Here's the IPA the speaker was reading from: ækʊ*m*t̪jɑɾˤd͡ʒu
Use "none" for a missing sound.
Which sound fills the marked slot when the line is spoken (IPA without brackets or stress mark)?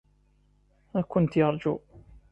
n